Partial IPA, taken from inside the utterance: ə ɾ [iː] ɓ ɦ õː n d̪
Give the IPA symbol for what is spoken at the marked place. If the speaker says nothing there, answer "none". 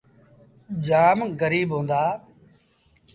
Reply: iː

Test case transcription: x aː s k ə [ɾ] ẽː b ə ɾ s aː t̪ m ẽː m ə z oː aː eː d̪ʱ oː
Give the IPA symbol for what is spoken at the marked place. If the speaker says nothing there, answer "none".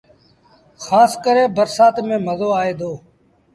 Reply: ɾ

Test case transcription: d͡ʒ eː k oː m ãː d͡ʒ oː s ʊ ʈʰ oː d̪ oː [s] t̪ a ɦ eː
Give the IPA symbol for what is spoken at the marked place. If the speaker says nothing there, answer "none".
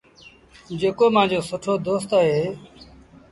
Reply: s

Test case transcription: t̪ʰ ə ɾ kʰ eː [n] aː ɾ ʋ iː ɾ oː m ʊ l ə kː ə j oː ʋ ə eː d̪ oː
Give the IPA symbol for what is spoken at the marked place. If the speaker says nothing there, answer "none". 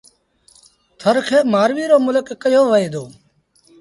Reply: m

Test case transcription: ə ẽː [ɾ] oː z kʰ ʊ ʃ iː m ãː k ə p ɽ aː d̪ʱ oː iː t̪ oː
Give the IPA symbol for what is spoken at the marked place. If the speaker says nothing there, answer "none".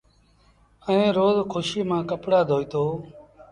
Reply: ɾ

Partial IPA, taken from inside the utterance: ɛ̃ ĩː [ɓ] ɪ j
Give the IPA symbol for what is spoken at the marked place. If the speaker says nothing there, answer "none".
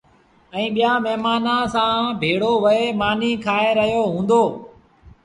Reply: ɓ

